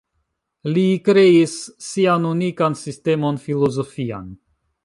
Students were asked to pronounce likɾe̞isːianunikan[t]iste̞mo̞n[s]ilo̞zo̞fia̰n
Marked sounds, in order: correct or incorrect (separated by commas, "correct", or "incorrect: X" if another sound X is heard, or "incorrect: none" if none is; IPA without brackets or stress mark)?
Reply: incorrect: s, incorrect: f